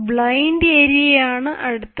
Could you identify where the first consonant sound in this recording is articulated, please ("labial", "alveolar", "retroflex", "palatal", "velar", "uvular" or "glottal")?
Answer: labial